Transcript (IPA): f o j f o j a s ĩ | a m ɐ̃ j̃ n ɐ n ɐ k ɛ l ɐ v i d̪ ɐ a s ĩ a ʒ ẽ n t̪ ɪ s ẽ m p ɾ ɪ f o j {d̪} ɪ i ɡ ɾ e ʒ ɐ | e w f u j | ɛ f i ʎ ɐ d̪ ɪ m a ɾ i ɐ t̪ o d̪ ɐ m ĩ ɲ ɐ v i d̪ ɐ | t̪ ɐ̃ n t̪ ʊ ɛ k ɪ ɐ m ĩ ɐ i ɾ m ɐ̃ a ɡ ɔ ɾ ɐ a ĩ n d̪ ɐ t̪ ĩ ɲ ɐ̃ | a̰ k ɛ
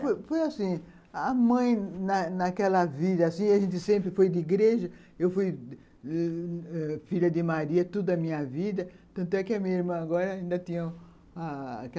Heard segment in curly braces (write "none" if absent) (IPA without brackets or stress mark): d̪